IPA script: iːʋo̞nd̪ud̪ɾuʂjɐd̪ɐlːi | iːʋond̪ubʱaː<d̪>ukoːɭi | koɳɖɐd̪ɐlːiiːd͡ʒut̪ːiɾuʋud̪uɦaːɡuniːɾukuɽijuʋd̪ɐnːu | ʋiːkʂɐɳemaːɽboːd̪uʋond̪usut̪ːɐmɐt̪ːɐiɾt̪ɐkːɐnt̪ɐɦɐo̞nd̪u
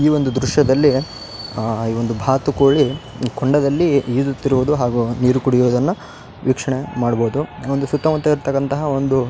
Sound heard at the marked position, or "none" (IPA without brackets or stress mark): t̪